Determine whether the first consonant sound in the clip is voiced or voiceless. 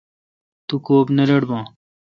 voiceless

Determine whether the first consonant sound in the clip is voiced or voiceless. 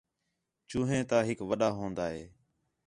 voiceless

